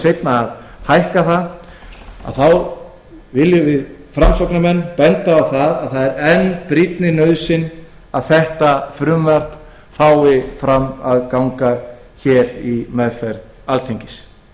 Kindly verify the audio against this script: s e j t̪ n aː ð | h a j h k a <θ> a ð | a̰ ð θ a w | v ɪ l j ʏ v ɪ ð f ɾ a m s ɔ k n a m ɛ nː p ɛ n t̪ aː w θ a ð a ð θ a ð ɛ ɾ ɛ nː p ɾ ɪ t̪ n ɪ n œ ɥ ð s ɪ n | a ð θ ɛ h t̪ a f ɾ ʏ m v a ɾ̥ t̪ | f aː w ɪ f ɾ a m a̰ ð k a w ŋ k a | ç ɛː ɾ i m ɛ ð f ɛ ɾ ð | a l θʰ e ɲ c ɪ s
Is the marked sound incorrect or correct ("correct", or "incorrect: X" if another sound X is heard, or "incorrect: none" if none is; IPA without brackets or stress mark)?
correct